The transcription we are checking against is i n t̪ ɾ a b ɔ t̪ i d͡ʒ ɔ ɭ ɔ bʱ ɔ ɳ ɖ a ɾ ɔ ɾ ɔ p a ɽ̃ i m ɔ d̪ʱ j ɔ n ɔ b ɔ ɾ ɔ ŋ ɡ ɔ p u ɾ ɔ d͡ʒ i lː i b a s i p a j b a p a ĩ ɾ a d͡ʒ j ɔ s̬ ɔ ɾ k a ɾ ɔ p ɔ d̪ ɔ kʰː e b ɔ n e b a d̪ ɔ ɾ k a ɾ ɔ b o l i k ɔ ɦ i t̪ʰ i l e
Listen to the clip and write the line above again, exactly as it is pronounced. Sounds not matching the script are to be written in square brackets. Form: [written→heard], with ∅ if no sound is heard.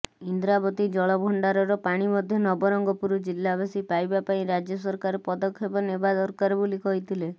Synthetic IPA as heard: i n [t̪→d̪] ɾ a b ɔ t̪ i d͡ʒ ɔ ɭ ɔ bʱ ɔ ɳ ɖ a ɾ ɔ ɾ ɔ p a ɽ̃ i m ɔ d̪ʱ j ɔ n ɔ b ɔ ɾ ɔ ŋ ɡ ɔ p u ɾ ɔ d͡ʒ i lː [i→a] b a s i p a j b a p a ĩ ɾ a d͡ʒ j ɔ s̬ ɔ ɾ k a ɾ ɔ p ɔ d̪ ɔ kʰː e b ɔ n e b a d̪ ɔ ɾ k a ɾ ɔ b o l i k ɔ ɦ i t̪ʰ i l e